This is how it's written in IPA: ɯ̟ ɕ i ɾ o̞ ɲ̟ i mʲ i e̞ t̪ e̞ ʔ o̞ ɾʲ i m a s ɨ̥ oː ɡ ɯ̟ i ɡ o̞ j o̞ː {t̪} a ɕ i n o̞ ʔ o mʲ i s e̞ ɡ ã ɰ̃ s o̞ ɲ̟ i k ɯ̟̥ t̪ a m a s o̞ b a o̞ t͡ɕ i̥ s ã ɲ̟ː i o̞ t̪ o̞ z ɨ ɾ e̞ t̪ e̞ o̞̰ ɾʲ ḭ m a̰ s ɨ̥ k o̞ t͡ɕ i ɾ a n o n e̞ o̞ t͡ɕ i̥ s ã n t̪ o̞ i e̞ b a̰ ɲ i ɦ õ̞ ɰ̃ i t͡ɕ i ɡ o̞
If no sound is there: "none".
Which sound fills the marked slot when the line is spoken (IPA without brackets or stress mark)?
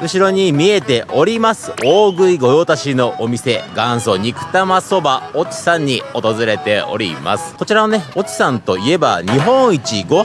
t̪